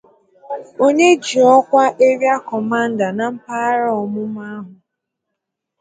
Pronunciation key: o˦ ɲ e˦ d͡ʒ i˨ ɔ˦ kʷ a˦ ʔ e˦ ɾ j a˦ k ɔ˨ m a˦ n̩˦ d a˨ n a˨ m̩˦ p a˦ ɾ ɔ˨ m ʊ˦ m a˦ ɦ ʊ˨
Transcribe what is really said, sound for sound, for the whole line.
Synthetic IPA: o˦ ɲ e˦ d͡ʒ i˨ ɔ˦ kʷ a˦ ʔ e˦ ɾ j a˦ k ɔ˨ m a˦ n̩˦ d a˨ n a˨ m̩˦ p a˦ ɾ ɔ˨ m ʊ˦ m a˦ ɦ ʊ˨